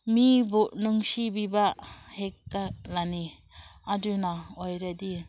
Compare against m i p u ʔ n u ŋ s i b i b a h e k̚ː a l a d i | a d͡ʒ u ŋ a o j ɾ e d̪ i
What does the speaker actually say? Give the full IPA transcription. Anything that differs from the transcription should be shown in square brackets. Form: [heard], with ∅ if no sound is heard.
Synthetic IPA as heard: m i [b] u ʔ n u ŋ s i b i b a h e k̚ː a l a [n] i | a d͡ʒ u [n] a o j ɾ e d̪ i